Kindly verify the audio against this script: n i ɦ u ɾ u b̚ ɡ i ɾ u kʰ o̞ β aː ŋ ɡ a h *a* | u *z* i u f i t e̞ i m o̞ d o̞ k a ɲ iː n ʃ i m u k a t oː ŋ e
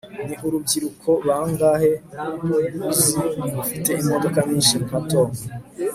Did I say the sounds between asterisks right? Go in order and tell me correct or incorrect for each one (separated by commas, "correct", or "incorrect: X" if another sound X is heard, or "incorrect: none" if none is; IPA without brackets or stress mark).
incorrect: e, correct